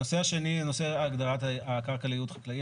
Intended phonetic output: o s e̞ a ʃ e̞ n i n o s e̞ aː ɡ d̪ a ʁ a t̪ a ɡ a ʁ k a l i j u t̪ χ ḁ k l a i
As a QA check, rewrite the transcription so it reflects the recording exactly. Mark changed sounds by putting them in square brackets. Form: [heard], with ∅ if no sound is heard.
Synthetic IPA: o s e̞ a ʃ e̞ n i n o s e̞ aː ɡ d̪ a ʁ a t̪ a [k] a ʁ k a l i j u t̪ χ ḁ k l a i